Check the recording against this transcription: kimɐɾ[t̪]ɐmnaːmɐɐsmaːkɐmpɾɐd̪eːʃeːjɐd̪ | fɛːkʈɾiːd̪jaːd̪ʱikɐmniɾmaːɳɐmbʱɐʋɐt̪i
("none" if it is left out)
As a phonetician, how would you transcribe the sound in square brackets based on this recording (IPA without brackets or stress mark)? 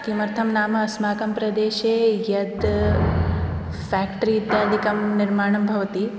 t̪ʰ